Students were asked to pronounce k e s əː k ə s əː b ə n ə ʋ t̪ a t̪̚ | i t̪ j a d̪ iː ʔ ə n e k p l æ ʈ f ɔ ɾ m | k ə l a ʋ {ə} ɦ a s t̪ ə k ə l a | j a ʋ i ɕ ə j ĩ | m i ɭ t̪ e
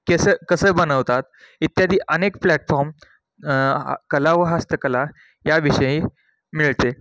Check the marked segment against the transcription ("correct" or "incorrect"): correct